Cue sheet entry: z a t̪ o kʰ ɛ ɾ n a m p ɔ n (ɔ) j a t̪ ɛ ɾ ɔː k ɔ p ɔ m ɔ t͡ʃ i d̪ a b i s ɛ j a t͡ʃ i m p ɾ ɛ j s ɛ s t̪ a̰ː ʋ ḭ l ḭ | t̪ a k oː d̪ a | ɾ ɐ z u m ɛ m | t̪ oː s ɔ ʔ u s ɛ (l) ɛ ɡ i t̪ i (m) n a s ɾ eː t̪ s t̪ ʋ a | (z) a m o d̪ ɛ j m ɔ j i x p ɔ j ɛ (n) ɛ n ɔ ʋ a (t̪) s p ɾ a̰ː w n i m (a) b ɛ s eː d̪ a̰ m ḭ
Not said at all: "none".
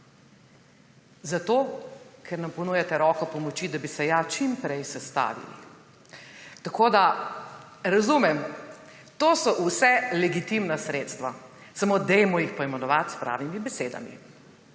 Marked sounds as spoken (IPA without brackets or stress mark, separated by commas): u, l, m, s, m, t̪, i